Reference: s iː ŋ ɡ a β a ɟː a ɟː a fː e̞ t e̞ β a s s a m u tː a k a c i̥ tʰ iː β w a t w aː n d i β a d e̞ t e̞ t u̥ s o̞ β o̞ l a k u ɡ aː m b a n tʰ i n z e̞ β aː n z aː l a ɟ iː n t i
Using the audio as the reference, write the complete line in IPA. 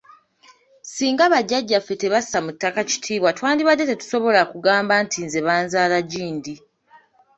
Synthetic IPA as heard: s iː ŋ ɡ a β a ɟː a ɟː a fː e̞ t e̞ β a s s a m u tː a k a c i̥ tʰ iː β w a t w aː n d i β a d e̞ t e̞ t u̥ s o̞ β o̞ l a k u ɡ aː m b a n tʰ i n z e̞ β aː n z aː l a ɟ iː n d i